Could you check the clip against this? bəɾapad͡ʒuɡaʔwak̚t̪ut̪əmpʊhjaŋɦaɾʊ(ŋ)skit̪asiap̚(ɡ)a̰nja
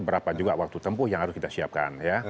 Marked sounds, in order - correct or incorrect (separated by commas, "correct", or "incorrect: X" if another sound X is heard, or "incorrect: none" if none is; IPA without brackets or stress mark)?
incorrect: none, incorrect: k